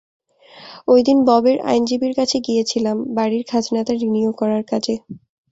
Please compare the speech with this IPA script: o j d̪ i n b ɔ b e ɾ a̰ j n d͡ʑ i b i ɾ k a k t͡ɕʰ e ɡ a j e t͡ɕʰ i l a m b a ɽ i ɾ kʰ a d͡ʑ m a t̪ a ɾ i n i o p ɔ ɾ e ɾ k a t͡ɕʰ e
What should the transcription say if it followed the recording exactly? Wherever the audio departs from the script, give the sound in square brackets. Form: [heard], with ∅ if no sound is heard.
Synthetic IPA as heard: o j d̪ i n b ɔ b e ɾ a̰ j n d͡ʑ i b i ɾ k a [∅] t͡ɕʰ e ɡ [i] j e t͡ɕʰ i l a m b a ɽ i ɾ kʰ a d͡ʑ [n] a t̪ a ɾ i n i o [k] ɔ ɾ [a] ɾ k a t͡ɕʰ e